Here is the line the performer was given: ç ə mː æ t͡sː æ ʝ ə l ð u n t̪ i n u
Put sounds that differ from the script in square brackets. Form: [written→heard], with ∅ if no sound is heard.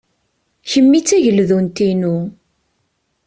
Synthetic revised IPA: ç ə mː [æ→i] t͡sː æ ʝ ə l ð u n t̪ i n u